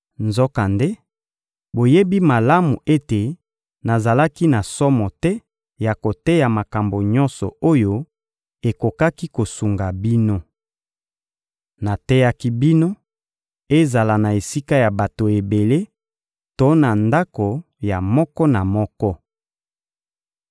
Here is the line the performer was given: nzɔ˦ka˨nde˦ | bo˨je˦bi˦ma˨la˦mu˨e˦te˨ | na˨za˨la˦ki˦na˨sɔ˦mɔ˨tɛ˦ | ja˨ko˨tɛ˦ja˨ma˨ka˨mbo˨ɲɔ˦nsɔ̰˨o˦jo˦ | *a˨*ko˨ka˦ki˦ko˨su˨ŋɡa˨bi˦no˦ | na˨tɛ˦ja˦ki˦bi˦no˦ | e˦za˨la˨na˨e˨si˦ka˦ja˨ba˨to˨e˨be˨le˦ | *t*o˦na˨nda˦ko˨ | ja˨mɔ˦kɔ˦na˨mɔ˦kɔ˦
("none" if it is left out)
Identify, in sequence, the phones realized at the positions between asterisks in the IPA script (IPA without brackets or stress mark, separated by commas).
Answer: e˨, t